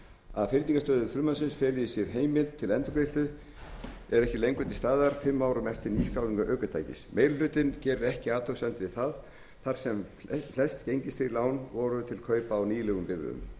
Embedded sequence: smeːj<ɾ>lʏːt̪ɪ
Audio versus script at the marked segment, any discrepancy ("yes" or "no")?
yes